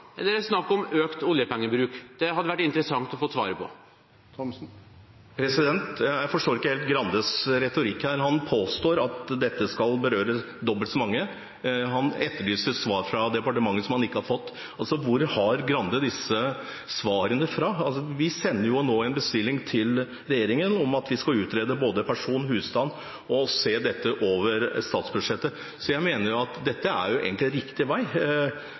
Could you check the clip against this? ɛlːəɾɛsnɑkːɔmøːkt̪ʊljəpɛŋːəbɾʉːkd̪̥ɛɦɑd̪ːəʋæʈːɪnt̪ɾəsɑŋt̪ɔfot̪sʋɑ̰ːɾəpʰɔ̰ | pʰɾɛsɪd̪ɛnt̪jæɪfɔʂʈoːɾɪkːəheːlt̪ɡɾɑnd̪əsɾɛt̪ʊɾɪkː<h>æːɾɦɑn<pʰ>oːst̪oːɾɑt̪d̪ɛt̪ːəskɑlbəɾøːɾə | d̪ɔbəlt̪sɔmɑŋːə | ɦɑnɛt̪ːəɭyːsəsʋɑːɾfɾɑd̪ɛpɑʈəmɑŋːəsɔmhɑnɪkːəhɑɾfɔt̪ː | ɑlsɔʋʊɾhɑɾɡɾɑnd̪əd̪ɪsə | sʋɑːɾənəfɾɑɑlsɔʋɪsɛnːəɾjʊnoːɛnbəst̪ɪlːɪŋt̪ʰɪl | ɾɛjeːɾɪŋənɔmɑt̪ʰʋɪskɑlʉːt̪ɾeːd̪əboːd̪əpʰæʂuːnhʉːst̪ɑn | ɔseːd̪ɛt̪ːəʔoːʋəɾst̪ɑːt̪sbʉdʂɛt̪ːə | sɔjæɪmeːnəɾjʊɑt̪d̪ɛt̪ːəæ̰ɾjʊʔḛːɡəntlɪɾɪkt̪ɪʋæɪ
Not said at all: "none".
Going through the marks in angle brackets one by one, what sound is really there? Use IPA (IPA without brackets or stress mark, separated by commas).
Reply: h, pʰ